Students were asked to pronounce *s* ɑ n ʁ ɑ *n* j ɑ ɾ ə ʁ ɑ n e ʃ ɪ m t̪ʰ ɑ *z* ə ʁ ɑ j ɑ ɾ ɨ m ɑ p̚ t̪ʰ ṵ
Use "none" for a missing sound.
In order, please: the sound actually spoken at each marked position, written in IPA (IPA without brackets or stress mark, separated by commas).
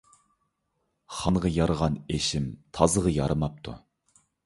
χ, none, z